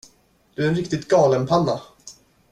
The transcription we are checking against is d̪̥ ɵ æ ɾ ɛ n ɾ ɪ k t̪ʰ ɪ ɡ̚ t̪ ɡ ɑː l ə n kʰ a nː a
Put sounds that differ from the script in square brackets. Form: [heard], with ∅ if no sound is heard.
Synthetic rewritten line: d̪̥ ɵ æ ɾ ɛ n ɾ ɪ k [t̪] ɪ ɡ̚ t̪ ɡ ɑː l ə n [pʰ] a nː a